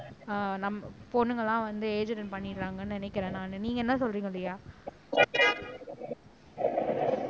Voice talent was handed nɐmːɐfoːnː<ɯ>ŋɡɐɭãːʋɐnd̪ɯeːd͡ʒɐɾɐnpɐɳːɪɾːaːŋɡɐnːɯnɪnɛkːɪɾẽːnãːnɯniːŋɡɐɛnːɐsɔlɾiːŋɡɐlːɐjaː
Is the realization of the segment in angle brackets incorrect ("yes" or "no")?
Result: no